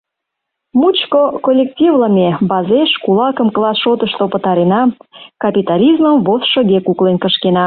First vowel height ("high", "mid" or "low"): high